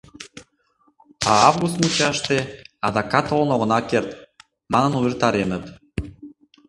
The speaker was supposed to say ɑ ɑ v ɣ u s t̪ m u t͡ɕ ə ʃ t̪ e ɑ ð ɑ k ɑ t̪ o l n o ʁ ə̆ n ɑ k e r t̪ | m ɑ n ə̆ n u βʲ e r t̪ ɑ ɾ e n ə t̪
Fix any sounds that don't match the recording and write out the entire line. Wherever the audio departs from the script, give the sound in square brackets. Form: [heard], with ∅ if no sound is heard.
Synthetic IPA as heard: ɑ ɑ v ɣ u s t̪ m u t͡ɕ [ɑ] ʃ t̪ e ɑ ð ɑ k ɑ t̪ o l n o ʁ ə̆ n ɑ k e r t̪ | m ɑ n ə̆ n u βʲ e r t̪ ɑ ɾ e n ə t̪